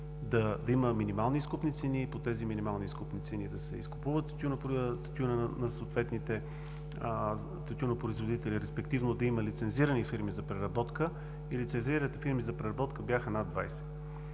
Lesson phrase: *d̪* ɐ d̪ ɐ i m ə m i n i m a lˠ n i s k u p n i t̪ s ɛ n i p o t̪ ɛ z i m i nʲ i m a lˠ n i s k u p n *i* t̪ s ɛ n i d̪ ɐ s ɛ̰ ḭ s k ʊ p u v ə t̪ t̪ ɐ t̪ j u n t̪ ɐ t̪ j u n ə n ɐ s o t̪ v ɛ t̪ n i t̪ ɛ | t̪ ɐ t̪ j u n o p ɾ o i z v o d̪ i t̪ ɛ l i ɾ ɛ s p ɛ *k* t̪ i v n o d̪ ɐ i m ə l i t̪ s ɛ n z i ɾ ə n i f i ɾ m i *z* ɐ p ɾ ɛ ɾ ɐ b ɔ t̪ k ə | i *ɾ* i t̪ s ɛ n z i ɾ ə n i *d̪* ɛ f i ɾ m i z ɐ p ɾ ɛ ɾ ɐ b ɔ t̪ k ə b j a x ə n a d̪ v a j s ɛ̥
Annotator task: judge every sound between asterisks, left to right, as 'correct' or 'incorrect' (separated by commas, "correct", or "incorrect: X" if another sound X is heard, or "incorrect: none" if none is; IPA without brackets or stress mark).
correct, correct, correct, correct, incorrect: l, incorrect: t̪